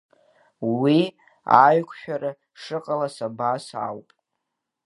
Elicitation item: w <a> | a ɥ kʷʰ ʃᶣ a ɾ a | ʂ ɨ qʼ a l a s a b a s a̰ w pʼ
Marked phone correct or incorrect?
incorrect